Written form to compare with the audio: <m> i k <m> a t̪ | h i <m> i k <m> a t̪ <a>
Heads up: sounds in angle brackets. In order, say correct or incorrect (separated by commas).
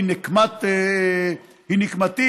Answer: incorrect, correct, incorrect, correct, incorrect